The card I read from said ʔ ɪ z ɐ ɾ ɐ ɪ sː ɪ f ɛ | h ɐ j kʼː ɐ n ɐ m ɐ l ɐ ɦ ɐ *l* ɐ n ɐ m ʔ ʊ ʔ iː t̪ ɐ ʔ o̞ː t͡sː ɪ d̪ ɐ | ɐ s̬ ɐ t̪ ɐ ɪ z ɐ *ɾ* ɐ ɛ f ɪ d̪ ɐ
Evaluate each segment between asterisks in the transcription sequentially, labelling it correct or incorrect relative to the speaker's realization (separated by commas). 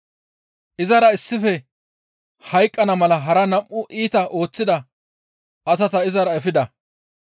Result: incorrect, correct